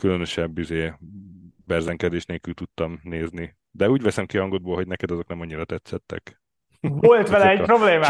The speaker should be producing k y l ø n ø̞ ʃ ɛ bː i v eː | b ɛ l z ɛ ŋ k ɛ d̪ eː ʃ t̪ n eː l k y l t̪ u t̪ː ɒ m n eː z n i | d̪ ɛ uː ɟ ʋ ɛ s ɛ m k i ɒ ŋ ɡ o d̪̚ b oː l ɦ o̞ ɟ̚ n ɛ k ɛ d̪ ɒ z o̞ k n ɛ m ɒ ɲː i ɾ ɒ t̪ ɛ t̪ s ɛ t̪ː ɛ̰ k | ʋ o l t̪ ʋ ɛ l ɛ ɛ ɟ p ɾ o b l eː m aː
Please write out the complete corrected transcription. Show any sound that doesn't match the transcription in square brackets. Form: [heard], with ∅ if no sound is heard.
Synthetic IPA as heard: k y l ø n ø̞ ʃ ɛ bː i [z] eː | b ɛ [r] z ɛ ŋ k ɛ d̪ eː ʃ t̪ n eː l k y l t̪ u t̪ː ɒ m n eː z n i | d̪ ɛ uː ɟ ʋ ɛ s ɛ m k i ɒ ŋ ɡ o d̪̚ b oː l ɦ o̞ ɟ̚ n ɛ k ɛ d̪ ɒ z o̞ k n ɛ m ɒ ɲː i ɾ ɒ t̪ ɛ t̪ s ɛ t̪ː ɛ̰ k | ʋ o l t̪ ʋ ɛ l ɛ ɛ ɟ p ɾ o b l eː m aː